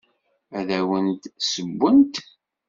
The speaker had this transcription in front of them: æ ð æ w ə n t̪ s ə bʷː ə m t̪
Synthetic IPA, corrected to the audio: æ ð æ w ə n t̪ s ə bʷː ə n t̪